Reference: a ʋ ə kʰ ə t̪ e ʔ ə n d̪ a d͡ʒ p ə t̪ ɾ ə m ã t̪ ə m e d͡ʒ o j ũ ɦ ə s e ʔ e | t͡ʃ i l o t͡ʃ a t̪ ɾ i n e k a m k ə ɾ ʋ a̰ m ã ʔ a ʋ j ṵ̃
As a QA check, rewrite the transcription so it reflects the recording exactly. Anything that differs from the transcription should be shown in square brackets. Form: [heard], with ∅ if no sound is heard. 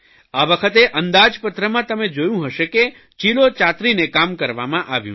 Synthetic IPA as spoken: a ʋ ə kʰ ə t̪ e ʔ ə n d̪ a d͡ʒ p ə t̪ ɾ ə m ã t̪ ə m e d͡ʒ o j ũ ɦ ə [ʃ] e [k] e | t͡ʃ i l o t͡ʃ a t̪ ɾ i n e k a m k ə ɾ ʋ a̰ m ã ʔ a ʋ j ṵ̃